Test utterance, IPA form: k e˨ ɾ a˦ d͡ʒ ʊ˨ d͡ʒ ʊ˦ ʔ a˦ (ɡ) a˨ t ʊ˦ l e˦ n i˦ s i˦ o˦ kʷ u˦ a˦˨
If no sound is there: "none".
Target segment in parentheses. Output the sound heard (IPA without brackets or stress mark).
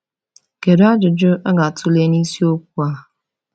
ɡ